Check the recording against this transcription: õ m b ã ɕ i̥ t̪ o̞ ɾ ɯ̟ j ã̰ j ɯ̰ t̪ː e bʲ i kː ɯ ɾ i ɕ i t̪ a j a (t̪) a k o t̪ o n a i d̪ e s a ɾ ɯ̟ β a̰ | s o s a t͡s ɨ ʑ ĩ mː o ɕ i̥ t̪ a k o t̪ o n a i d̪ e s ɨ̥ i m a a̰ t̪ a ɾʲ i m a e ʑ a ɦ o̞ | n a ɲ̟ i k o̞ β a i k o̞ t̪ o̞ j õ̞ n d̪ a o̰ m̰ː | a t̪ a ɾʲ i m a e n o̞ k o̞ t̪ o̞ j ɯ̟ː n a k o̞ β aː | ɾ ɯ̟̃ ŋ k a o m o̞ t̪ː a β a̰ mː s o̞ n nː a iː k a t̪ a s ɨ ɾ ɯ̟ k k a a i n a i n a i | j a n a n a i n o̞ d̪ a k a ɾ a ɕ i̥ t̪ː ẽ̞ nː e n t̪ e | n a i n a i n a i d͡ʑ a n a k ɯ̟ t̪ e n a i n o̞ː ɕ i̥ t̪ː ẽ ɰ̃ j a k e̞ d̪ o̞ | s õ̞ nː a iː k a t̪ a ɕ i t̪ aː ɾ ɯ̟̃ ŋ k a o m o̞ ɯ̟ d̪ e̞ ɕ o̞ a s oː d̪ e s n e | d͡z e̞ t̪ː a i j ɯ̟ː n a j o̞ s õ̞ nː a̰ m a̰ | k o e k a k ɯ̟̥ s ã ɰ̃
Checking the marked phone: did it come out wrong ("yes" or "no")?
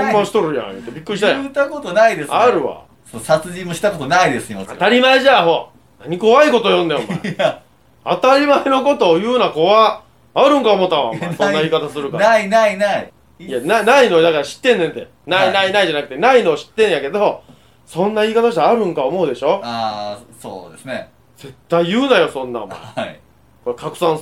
no